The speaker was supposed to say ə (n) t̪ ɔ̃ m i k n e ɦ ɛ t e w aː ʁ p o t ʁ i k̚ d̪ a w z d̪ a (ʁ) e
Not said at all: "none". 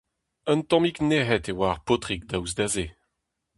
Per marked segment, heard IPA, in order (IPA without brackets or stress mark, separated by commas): n, z